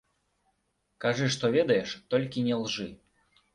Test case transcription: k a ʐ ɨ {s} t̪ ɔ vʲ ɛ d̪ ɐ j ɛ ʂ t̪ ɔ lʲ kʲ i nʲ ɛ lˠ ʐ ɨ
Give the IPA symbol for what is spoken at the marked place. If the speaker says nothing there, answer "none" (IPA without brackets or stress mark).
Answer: ʂ